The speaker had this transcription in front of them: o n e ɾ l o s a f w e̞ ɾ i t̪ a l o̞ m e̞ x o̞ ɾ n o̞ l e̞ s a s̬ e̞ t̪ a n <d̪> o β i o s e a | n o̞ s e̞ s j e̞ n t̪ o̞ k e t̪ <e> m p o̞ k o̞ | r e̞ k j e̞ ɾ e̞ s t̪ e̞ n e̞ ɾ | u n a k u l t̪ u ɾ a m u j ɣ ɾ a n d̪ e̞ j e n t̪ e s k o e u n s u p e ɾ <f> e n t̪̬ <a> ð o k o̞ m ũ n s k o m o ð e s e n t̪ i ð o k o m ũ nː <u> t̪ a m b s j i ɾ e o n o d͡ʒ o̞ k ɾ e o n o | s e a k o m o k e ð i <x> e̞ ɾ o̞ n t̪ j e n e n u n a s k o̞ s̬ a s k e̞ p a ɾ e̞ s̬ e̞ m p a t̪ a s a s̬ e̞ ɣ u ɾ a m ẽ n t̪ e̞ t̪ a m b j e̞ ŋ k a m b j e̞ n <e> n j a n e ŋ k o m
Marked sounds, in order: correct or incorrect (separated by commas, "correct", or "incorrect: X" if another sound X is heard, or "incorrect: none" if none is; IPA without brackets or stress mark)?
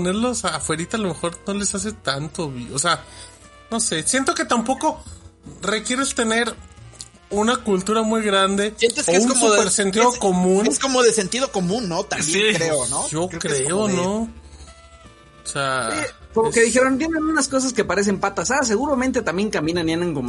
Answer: incorrect: t̪, incorrect: a, incorrect: s, incorrect: i, incorrect: o, correct, incorrect: a